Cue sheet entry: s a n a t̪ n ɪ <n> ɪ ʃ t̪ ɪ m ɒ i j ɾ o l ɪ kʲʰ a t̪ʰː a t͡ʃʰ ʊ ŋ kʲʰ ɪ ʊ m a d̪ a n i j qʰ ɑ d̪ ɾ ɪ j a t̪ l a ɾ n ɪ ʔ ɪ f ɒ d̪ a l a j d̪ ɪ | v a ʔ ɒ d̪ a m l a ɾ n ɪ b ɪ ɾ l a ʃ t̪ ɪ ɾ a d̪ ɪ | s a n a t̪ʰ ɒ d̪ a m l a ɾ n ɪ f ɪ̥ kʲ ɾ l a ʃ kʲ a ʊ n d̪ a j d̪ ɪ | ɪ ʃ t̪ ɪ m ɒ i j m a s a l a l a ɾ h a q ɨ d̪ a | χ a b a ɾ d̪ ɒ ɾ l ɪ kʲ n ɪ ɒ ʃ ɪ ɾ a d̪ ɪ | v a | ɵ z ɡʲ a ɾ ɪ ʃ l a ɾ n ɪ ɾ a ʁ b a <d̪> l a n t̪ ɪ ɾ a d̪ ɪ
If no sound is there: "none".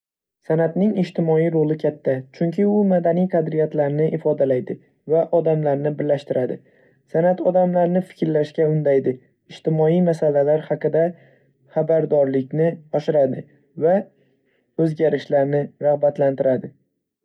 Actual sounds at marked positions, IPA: ŋ, t̪

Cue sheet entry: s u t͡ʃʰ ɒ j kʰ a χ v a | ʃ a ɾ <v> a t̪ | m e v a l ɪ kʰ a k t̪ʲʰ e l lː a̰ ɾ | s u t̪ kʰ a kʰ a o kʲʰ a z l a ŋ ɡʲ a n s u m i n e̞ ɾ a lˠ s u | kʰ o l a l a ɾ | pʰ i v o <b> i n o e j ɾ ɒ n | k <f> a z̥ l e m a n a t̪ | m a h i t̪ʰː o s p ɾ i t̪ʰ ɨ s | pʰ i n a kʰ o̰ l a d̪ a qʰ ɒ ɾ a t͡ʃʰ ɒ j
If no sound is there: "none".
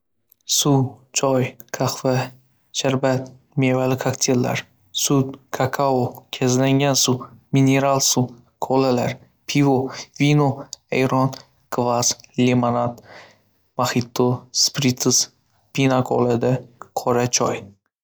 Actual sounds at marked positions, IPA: b, v, v

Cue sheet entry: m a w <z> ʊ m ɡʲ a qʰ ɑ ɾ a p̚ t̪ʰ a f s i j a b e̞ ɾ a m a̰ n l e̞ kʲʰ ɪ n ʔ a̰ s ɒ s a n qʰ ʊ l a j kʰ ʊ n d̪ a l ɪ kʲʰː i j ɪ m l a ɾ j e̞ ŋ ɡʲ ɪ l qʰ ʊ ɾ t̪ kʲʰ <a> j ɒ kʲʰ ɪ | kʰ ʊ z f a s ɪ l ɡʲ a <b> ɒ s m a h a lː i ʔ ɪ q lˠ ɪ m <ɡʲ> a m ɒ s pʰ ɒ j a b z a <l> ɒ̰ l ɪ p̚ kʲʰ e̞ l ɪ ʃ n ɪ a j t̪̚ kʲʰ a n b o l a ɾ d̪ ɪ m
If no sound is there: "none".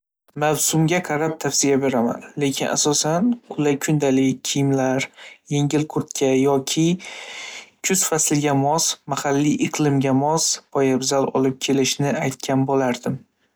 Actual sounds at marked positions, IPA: s, a, m, ɡʲ, l

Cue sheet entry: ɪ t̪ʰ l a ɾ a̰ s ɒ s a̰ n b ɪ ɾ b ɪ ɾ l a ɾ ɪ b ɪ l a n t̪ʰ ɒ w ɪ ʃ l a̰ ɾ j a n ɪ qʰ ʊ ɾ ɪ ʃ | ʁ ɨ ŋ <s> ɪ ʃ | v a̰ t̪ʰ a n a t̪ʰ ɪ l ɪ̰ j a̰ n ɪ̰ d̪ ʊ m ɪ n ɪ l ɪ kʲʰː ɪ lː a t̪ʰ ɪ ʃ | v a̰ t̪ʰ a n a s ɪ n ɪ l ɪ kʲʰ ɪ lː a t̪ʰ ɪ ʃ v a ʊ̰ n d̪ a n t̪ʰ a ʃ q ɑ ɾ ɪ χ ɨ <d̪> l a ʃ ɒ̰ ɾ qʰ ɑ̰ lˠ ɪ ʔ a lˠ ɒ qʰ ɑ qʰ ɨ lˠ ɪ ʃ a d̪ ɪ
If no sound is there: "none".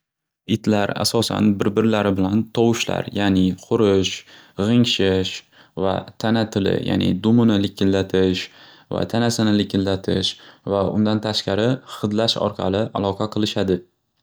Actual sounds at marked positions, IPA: ʃ, d̪

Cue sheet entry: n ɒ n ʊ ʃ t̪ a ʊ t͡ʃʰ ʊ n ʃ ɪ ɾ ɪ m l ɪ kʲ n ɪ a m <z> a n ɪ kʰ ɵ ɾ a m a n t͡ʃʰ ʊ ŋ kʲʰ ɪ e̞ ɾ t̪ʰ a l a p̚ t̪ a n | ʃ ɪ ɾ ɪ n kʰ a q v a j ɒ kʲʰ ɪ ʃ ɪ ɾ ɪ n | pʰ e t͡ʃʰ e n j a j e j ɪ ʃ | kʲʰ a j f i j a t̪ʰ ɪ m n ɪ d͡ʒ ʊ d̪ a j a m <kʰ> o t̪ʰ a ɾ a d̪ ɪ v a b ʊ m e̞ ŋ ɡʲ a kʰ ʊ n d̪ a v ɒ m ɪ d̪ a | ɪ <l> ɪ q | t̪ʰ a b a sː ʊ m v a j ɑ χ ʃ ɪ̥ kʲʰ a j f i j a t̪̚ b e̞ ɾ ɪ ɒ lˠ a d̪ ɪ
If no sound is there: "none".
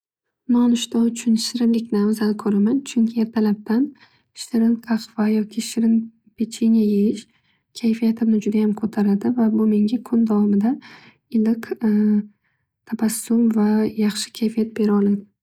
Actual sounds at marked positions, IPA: z, kʰ, l

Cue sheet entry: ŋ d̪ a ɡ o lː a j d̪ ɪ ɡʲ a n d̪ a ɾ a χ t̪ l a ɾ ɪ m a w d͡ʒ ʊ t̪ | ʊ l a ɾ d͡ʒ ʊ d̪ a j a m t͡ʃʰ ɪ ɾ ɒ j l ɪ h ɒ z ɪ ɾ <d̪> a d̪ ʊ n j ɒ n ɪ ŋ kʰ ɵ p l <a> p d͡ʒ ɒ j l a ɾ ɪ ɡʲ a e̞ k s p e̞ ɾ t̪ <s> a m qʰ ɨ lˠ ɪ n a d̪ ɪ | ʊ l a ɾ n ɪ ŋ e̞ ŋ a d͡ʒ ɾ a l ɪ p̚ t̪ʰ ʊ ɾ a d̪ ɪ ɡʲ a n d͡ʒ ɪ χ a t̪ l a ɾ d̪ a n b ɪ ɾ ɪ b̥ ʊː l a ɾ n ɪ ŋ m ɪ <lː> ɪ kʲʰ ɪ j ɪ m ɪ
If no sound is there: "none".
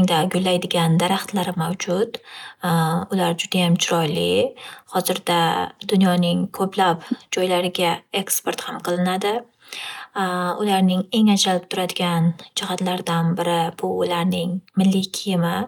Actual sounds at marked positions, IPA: d̪, a, h, lː

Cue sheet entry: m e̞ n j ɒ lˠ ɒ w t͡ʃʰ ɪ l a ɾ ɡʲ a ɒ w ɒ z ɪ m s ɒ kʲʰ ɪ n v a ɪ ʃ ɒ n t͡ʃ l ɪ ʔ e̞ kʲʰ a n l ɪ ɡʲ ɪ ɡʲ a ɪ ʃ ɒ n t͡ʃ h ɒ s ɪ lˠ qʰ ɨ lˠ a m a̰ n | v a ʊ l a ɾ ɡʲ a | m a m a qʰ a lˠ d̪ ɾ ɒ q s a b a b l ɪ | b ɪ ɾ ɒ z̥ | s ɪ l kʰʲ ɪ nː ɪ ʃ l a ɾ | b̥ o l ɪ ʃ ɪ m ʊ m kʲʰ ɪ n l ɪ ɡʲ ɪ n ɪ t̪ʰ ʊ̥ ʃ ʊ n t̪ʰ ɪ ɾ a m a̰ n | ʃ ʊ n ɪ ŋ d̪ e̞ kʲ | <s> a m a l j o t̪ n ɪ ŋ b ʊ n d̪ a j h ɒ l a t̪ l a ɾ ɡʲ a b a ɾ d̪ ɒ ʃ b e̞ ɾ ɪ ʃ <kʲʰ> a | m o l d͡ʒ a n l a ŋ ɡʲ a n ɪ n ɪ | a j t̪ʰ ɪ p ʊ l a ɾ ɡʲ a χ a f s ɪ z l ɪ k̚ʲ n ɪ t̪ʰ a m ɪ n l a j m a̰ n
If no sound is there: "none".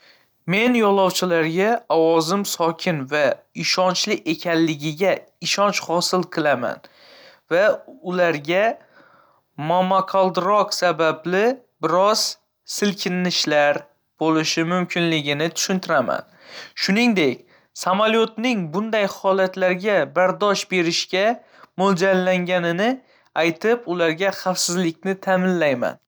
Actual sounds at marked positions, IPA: s, kʲ

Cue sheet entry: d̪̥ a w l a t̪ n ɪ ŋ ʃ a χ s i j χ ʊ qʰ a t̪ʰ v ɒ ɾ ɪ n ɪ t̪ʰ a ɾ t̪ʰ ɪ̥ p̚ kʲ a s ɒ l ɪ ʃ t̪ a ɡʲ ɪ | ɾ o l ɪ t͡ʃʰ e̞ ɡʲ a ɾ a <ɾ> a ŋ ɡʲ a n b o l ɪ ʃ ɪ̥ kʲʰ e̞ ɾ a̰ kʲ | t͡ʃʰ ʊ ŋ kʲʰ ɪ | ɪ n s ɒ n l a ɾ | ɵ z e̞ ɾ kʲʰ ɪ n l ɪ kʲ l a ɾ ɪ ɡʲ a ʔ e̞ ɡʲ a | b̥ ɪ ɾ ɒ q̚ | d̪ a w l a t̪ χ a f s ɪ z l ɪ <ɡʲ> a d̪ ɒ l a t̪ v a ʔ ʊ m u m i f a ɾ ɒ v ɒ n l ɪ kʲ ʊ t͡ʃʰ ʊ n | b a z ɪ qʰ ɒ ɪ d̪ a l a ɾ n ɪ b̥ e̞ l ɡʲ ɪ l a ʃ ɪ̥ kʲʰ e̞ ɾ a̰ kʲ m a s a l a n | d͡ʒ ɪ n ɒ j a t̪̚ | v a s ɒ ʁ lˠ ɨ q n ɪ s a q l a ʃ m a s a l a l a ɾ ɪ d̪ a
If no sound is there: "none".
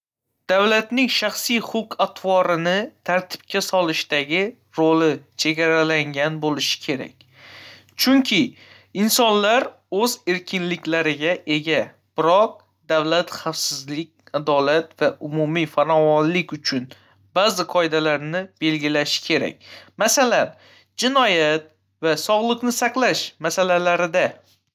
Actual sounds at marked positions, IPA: l, kʲ

